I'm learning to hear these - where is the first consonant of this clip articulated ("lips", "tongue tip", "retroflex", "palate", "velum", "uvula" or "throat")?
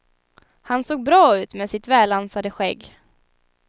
throat